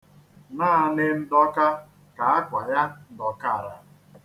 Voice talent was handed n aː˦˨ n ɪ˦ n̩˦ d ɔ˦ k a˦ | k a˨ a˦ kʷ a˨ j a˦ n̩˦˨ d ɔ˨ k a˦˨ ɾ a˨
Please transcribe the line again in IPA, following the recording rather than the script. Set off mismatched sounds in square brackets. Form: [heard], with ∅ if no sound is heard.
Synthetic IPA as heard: n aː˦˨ n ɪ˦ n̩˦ d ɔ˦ k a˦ | k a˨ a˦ kʷ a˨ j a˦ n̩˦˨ d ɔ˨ k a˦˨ ɾ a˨